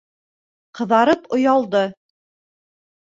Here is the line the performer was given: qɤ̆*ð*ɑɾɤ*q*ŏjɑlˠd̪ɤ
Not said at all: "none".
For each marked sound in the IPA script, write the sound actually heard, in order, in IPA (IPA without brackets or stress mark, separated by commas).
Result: ð, p